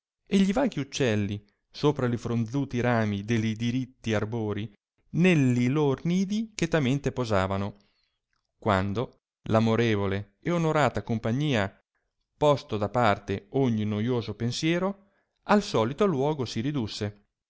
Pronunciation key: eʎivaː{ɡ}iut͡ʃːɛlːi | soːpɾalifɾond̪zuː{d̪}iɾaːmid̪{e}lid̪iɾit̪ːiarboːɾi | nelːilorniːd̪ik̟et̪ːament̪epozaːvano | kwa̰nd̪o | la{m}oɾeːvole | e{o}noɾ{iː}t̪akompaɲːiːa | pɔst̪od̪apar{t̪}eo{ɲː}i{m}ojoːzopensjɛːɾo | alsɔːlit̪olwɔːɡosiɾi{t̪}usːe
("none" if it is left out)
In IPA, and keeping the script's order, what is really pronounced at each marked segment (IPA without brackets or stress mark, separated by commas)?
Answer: ɡ, t̪, e, m, o, aː, t̪, ɲː, n, d̪